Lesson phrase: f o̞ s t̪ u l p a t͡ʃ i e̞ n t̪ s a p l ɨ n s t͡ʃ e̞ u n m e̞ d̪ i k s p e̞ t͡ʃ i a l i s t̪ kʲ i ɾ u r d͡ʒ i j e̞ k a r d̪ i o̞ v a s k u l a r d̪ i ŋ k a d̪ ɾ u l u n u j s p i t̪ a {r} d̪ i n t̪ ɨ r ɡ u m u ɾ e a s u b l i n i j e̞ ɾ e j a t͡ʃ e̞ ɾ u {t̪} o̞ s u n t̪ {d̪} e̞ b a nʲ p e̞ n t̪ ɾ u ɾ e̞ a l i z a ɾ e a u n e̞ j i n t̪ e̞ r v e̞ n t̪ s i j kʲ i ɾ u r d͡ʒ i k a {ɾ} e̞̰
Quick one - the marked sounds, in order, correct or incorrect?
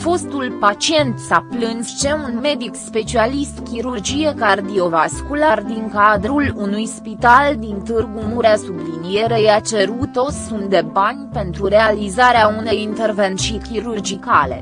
incorrect: l, correct, correct, incorrect: l

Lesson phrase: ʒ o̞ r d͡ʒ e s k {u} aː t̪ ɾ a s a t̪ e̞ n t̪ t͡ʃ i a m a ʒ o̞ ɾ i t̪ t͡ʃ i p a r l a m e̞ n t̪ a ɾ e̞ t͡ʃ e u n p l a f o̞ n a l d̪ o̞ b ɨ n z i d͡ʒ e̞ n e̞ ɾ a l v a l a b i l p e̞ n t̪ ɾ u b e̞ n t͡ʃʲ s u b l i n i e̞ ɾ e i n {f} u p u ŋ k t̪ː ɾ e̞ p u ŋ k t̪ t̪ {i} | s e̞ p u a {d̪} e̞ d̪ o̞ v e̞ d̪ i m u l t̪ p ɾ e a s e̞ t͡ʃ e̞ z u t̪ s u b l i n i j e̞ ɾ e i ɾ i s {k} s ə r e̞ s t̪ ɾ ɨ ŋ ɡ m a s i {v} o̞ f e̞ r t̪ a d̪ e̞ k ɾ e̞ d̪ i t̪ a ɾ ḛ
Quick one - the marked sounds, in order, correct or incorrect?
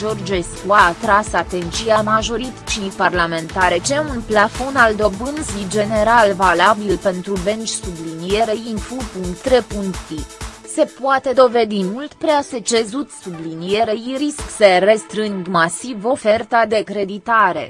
correct, correct, correct, incorrect: t̪, correct, correct

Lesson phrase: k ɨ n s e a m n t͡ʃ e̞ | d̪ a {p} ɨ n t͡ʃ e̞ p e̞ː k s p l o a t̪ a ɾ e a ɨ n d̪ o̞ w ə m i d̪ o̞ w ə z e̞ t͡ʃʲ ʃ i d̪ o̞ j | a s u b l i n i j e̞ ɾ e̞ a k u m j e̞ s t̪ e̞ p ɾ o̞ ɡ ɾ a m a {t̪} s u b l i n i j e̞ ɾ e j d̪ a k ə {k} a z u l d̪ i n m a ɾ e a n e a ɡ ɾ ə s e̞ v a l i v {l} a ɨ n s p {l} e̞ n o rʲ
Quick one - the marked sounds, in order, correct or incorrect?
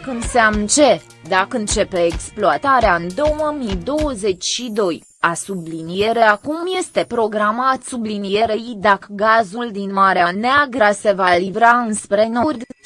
incorrect: k, correct, incorrect: ɡ, incorrect: ɾ, incorrect: ɾ

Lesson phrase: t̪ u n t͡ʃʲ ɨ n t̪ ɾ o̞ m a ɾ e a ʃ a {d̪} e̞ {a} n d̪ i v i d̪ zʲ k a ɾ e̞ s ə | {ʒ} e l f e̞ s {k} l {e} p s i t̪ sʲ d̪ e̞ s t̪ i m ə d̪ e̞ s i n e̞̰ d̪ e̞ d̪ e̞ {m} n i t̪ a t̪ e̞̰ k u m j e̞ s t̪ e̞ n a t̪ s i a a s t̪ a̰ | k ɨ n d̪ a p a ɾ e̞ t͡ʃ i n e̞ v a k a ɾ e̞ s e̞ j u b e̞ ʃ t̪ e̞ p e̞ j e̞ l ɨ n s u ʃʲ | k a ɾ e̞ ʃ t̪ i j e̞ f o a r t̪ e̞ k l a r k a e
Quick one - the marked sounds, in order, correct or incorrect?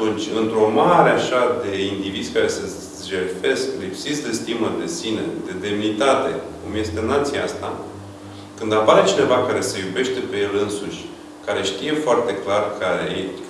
correct, incorrect: i, correct, correct, incorrect: i, correct

